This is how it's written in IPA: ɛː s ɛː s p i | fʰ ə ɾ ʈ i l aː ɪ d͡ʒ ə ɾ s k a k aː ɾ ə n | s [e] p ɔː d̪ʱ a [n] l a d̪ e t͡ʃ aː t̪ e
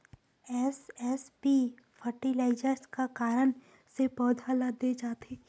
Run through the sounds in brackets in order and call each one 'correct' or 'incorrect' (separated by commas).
correct, incorrect